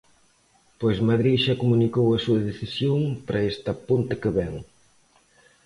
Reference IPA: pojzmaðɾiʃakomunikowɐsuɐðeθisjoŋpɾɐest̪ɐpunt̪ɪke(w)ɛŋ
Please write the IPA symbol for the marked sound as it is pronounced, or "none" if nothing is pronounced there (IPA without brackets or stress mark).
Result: β